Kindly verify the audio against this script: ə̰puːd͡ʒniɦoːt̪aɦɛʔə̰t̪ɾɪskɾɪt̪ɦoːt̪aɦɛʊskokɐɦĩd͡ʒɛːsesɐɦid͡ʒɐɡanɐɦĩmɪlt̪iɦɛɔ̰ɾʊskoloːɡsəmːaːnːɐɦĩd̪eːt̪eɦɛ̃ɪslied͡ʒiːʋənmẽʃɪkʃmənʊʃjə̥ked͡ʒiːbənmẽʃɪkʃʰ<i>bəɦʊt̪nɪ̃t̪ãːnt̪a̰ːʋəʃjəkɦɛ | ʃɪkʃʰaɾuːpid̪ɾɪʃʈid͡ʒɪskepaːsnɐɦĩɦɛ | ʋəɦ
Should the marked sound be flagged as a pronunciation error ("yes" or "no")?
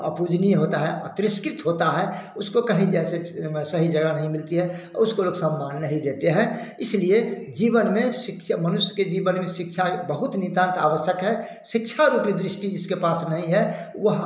yes